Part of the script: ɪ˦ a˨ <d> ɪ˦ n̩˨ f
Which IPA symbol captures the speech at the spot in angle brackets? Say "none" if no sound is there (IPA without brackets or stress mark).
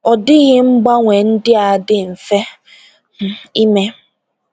d